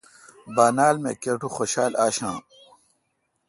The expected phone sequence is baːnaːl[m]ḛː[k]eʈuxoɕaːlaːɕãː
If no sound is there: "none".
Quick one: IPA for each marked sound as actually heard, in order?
m, k

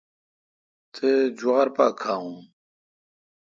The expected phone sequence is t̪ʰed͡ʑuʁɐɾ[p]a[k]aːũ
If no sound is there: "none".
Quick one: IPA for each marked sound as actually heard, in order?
p, kʰ

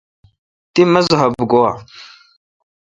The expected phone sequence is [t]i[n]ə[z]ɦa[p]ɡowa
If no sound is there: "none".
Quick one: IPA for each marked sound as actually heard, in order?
t, m, z, b

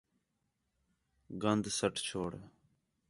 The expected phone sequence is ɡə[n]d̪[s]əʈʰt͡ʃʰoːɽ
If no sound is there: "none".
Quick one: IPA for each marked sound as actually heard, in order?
n, s

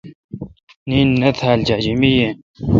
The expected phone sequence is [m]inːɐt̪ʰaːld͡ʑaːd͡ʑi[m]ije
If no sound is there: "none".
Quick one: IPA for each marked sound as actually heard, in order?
n, m

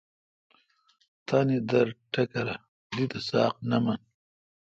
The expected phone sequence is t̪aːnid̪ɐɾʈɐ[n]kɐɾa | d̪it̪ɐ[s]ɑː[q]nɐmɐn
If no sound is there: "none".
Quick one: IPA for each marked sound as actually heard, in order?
none, s, q

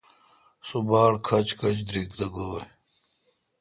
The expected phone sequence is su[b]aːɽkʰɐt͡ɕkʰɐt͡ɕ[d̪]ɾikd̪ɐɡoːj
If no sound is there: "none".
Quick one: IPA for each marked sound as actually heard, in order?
b, d̪

